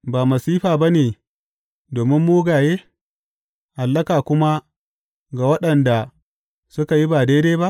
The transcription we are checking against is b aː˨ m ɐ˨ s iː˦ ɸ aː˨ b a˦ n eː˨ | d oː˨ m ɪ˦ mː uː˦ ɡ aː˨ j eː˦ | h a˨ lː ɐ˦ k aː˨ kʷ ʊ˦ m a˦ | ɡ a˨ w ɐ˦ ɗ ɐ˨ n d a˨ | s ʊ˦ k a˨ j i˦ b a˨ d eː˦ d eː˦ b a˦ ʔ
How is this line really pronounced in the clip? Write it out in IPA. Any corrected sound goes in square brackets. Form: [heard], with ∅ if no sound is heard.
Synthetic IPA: b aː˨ m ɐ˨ s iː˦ ɸ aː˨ b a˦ n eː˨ | d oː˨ m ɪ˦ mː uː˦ ɡ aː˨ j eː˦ | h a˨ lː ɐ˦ k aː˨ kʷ ʊ˦ m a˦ | ɡ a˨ w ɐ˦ ɗ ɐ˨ n d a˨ | s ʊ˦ k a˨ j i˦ b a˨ d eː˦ d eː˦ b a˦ ʔ